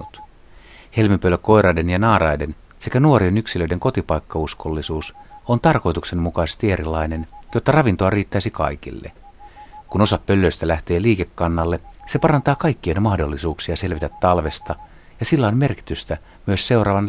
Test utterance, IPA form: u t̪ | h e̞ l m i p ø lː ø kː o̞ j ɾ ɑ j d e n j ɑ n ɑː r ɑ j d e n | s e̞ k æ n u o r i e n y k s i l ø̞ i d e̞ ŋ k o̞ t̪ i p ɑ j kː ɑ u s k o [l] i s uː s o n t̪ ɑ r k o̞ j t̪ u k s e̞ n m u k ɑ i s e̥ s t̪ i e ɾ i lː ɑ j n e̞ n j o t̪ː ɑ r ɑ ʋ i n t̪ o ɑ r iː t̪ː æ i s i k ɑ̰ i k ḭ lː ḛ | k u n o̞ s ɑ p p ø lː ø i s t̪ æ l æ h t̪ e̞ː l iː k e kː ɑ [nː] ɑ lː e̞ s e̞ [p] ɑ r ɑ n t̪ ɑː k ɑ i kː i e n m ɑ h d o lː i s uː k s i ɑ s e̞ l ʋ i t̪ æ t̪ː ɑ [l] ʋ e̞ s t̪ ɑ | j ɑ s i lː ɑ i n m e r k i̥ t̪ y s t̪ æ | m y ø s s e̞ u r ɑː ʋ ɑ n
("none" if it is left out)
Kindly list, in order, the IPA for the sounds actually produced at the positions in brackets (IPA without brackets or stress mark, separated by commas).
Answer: lː, nː, p, l